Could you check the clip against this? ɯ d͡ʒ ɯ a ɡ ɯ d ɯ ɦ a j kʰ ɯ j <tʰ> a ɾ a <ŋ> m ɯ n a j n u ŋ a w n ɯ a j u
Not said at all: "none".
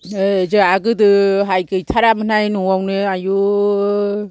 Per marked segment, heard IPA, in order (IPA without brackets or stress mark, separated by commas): tʰ, none